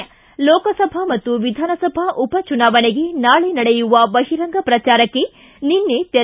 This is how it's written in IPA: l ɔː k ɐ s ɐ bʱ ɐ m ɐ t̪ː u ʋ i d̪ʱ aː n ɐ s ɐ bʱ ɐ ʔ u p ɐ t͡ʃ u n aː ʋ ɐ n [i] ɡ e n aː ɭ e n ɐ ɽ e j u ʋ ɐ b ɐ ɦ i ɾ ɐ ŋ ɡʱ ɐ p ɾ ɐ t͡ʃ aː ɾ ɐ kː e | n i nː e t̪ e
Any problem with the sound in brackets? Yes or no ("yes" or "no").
yes